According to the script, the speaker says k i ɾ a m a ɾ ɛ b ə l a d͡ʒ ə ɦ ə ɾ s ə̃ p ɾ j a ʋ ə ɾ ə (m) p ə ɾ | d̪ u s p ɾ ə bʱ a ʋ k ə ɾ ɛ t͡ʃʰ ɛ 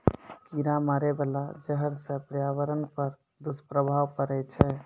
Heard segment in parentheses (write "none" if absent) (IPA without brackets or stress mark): n